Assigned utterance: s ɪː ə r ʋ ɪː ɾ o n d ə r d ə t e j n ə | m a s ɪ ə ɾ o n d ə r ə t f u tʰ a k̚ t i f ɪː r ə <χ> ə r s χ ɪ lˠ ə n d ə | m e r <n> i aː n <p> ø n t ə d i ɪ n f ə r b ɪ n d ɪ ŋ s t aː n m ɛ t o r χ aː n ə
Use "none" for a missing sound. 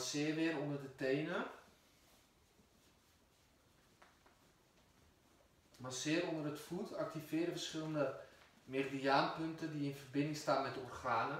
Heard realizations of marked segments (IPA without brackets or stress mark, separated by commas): f, d, p